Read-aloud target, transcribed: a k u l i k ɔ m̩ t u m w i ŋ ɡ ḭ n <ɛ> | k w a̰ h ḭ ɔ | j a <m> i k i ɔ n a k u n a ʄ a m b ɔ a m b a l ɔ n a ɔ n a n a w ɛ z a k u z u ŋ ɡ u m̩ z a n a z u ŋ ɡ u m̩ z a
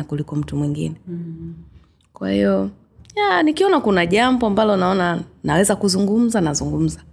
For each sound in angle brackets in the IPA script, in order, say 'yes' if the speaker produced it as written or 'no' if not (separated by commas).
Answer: yes, no